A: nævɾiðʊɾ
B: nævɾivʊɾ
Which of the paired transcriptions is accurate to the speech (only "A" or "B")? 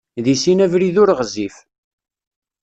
A